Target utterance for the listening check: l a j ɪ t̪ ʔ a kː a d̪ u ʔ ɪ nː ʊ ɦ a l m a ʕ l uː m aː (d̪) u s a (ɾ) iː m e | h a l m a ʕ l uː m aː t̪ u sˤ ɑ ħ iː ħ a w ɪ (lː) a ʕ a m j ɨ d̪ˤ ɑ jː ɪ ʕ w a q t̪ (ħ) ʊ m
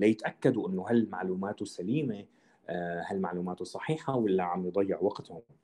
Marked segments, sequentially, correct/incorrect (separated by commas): incorrect, incorrect, correct, incorrect